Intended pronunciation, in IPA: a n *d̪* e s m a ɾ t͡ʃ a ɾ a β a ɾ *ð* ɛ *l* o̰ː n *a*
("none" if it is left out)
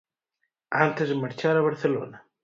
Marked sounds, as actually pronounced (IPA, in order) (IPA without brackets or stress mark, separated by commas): t̪, θ, l, a